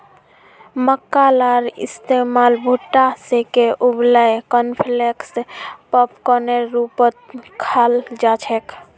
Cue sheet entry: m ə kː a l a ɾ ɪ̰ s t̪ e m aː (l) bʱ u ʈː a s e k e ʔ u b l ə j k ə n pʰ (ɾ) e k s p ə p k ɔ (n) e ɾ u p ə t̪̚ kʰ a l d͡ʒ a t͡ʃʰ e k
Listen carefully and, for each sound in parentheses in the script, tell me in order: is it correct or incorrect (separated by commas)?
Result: correct, incorrect, correct